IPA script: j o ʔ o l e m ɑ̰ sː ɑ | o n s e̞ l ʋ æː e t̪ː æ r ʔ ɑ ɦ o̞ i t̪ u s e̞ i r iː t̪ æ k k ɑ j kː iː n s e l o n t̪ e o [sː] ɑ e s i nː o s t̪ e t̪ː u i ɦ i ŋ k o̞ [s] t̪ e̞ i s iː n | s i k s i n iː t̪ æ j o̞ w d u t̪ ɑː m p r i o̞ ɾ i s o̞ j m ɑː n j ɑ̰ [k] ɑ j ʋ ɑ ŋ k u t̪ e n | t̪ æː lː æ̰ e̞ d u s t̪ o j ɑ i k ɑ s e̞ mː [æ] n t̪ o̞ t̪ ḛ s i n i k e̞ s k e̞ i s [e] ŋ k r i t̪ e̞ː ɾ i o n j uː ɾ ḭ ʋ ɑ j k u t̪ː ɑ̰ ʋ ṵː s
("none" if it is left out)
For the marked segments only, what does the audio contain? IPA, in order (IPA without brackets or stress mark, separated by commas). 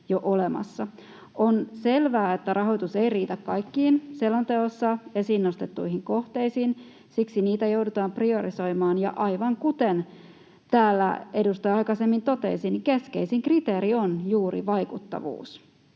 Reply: sː, h, ʔ, i, i